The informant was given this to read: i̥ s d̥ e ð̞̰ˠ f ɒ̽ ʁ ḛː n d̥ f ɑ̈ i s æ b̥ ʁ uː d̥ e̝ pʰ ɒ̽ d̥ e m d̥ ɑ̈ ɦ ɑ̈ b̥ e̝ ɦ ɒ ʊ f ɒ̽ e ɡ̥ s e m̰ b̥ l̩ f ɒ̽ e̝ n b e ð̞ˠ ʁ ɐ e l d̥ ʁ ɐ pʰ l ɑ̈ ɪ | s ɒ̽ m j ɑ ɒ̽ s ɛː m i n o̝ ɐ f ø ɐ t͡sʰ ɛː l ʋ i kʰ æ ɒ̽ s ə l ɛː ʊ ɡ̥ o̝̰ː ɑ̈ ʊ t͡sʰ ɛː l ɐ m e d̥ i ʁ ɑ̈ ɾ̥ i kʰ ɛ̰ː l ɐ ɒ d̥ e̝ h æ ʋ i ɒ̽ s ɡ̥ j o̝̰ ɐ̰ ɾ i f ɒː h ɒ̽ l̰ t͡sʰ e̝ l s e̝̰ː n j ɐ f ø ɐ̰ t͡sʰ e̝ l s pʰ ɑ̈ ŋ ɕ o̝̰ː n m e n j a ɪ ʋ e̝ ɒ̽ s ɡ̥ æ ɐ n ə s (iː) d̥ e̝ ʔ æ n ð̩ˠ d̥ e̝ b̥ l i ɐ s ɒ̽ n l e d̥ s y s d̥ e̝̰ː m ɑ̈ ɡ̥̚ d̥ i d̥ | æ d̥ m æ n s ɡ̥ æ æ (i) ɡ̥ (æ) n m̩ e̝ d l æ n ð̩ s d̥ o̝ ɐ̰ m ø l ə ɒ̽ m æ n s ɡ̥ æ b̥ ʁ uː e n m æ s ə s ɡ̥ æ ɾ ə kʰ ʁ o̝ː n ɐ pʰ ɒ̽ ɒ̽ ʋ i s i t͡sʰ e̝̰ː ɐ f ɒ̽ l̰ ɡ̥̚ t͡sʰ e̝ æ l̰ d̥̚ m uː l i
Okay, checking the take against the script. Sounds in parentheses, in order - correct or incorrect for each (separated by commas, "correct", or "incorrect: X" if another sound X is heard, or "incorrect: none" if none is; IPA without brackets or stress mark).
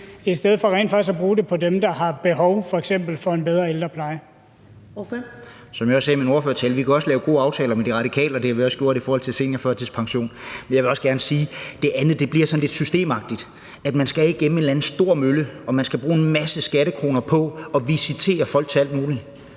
correct, correct, incorrect: e